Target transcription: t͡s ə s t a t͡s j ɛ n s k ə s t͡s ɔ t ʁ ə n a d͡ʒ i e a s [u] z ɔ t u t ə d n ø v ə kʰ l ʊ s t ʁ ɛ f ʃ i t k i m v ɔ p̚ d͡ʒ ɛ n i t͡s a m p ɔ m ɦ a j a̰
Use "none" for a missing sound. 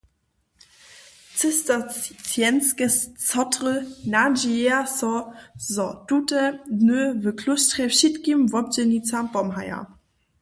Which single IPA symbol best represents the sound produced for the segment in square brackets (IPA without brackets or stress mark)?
ɔ